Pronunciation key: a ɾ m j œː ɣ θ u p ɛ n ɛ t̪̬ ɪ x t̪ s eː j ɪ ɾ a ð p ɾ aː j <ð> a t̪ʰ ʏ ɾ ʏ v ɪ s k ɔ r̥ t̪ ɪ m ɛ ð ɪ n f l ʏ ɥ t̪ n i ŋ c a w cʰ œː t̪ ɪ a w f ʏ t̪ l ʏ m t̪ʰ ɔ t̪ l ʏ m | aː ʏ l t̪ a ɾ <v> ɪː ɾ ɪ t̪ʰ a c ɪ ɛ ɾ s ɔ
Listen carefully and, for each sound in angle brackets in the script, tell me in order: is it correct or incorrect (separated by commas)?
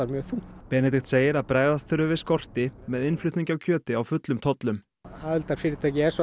correct, incorrect